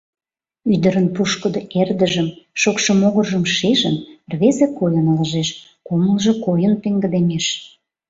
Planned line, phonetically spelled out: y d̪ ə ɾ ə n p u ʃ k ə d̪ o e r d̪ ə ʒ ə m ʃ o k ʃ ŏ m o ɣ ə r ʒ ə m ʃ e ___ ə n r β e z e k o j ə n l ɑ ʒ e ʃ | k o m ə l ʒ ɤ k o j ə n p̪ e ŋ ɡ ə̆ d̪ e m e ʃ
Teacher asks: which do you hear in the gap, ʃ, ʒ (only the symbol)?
ʒ